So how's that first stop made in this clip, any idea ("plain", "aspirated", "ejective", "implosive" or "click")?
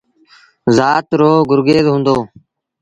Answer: plain